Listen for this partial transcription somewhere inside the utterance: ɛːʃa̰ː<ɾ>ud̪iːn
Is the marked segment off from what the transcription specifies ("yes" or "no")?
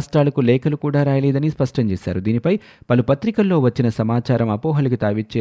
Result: no